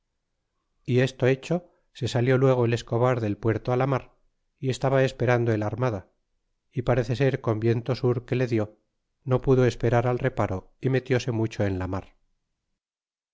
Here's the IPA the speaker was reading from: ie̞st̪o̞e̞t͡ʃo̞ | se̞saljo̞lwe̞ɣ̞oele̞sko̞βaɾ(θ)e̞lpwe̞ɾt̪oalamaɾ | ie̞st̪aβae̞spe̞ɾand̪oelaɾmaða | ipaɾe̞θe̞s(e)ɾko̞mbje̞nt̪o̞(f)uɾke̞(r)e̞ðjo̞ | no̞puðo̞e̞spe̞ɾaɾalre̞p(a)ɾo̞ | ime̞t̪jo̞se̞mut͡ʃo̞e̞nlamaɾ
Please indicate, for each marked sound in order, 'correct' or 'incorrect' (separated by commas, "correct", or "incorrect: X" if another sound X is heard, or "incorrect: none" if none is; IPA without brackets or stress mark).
incorrect: ð, correct, incorrect: s, incorrect: l, correct